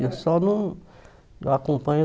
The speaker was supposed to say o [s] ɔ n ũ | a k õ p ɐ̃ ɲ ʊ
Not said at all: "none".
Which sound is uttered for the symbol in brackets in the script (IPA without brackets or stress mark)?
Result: s